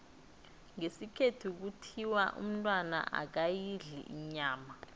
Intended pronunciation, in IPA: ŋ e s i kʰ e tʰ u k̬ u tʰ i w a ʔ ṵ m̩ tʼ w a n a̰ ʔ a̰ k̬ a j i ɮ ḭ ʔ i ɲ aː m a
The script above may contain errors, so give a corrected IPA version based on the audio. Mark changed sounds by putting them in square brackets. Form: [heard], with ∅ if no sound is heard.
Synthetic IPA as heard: ŋ e s i kʰ e tʰ u k̬ u tʰ i w a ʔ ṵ m̩ tʼ w a n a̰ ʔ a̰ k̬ a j i ɮ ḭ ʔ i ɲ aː m a